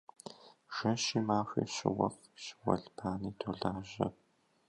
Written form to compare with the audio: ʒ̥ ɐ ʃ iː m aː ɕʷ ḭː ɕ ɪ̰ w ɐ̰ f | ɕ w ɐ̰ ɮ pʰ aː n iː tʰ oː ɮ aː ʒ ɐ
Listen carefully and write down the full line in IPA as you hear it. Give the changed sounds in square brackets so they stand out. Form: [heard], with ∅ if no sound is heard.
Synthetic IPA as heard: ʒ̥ ɐ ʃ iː m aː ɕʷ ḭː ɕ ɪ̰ w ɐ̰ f | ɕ w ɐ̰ ɮ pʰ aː n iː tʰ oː ɮ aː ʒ ɐ